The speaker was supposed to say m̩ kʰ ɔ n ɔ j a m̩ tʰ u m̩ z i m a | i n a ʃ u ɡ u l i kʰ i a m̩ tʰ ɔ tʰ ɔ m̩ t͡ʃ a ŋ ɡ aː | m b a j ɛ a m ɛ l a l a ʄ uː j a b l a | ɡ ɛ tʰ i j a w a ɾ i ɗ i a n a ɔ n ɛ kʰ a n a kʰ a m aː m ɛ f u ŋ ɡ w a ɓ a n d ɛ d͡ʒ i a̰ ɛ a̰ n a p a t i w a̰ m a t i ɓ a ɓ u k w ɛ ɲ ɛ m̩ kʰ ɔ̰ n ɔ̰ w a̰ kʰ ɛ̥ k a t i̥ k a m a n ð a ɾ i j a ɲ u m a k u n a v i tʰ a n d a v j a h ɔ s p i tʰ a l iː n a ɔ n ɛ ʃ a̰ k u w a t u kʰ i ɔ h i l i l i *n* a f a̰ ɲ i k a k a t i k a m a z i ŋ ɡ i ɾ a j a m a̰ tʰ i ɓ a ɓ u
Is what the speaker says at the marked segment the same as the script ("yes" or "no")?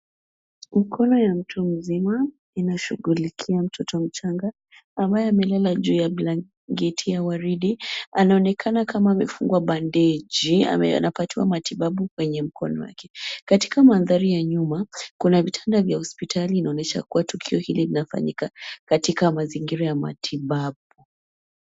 yes